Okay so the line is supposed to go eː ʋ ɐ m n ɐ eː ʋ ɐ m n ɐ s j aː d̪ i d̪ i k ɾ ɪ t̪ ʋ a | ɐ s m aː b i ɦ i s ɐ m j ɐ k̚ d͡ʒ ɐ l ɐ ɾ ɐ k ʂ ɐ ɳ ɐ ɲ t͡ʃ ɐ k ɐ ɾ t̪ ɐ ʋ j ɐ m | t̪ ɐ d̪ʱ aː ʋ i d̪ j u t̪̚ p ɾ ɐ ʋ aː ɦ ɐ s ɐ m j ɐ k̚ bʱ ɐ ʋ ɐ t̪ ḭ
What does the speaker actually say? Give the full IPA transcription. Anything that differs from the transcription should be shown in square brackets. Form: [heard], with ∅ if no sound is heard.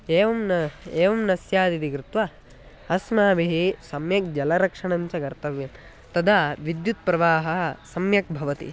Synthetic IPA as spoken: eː ʋ ɐ m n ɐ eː ʋ ɐ m n ɐ s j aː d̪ i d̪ i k ɾ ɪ t̪ ʋ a | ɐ s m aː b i ɦ i s ɐ m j ɐ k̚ d͡ʒ ɐ l ɐ ɾ ɐ k ʂ ɐ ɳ ɐ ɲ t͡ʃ ɐ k ɐ ɾ t̪ ɐ ʋ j ɐ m | t̪ ɐ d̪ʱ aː ʋ i d̪ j u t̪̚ p ɾ ɐ ʋ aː ɦ ɐ s ɐ m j ɐ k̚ bʱ ɐ ʋ ɐ t̪ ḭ